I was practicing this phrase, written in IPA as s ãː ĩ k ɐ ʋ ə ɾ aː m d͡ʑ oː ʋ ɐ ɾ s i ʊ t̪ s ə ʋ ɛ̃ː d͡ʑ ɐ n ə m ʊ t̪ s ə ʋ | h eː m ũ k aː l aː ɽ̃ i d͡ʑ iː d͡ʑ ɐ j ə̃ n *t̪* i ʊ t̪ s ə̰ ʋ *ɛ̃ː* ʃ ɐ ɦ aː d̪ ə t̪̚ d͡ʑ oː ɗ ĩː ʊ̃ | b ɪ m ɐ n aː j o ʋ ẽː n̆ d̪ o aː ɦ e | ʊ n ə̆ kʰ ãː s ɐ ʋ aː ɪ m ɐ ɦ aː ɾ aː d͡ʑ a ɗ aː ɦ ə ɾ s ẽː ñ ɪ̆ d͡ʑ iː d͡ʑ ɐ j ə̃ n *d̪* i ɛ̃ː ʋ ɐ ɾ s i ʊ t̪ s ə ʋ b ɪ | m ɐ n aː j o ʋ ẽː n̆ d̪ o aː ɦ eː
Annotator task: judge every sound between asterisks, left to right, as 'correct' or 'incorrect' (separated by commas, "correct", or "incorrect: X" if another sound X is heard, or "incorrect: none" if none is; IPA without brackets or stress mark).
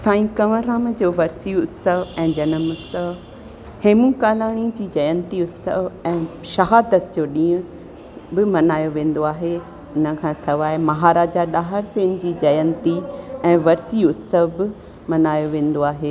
correct, correct, incorrect: t̪